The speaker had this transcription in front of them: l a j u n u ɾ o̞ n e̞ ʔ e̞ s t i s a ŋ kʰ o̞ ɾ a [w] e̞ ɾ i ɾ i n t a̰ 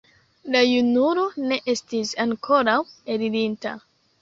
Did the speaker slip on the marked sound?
no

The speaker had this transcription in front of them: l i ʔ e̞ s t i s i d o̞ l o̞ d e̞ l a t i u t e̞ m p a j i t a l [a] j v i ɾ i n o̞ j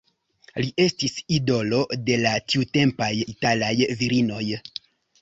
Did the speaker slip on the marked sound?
no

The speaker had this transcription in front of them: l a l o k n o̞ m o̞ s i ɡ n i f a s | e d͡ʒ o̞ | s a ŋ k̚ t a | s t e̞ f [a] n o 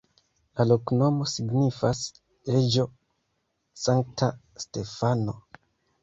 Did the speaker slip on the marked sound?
no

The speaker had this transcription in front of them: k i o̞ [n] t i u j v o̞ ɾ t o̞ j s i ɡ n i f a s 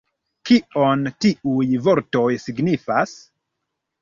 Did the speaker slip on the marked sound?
no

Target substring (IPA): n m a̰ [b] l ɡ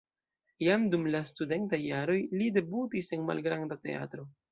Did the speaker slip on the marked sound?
yes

